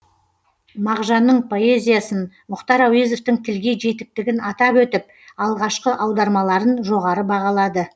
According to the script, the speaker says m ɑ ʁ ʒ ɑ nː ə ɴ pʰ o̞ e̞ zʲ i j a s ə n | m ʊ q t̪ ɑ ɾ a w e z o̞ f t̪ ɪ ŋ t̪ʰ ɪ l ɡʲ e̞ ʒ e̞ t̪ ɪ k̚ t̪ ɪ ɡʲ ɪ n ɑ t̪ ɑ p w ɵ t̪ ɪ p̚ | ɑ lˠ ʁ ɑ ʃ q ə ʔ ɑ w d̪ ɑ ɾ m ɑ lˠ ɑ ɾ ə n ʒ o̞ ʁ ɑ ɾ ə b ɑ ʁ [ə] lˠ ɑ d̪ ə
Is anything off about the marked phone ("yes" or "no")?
yes